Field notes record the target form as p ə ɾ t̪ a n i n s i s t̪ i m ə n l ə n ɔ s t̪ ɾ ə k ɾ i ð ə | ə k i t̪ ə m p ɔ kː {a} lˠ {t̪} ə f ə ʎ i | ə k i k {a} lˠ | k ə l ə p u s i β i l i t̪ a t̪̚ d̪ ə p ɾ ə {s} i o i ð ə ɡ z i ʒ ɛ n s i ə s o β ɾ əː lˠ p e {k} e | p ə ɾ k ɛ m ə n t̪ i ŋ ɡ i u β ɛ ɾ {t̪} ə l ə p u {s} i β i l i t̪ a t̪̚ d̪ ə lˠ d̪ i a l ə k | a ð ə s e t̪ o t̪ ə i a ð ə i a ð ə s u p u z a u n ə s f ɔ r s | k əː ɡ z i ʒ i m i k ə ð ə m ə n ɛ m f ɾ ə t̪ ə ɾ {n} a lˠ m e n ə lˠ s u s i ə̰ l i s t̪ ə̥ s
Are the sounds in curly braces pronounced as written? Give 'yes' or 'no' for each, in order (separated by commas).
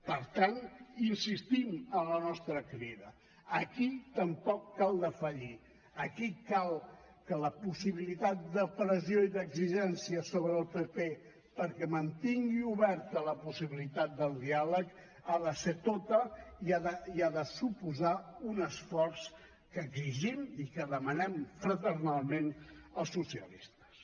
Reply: yes, no, yes, no, no, yes, yes, yes